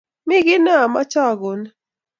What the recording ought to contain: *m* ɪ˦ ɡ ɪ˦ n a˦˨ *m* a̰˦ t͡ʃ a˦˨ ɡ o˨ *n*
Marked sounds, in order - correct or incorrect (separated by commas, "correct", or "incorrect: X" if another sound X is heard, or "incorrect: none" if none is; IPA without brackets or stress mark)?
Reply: correct, correct, correct